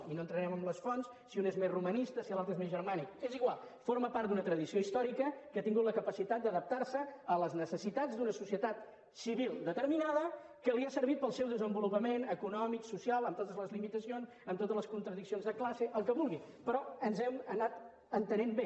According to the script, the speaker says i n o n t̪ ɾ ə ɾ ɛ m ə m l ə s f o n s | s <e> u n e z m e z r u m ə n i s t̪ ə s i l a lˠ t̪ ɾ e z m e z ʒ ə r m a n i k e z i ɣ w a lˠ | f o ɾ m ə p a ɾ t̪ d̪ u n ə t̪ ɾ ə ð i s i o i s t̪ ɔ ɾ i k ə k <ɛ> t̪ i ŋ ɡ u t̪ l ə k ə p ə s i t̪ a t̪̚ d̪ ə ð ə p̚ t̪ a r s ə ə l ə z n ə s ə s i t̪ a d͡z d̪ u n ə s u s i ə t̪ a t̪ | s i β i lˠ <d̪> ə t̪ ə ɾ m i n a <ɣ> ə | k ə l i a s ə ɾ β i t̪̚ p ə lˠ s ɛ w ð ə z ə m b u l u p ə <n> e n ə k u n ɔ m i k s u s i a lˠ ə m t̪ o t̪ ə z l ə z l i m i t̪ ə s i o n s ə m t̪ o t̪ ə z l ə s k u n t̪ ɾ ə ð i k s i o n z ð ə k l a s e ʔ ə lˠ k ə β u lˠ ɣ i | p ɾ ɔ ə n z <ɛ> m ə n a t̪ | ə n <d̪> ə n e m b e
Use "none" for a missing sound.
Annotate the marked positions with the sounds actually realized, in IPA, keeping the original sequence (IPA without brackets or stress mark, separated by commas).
i, a, d̪, ð, m, ɛ, t̪